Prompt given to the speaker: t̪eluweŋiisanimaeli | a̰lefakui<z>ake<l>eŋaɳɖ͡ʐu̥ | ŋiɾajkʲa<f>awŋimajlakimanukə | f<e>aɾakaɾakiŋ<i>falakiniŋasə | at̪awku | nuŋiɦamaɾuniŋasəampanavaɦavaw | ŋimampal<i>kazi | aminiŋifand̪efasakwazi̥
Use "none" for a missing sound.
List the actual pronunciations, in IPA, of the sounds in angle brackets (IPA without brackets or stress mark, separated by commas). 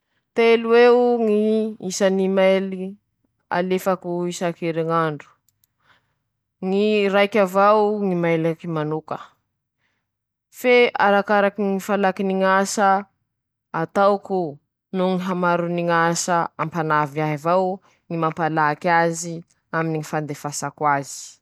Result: s, ɾ, v, e, i, a